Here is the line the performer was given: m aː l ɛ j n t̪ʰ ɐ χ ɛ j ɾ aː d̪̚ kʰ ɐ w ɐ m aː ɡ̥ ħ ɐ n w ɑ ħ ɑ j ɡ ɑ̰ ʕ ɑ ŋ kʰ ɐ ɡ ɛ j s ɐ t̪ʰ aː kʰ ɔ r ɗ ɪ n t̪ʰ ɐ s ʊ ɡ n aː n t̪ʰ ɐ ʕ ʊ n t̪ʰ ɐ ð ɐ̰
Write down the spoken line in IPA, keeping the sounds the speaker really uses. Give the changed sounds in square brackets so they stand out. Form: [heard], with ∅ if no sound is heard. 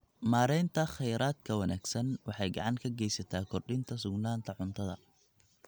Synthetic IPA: m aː [ɾ] ɛ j n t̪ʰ ɐ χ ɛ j ɾ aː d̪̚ kʰ ɐ w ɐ [n] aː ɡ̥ [s] ɐ n w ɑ ħ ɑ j ɡ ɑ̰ ʕ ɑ ŋ kʰ ɐ ɡ ɛ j s ɐ t̪ʰ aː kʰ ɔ r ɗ ɪ n t̪ʰ ɐ s ʊ ɡ n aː n t̪ʰ ɐ ʕ ʊ n t̪ʰ ɐ ð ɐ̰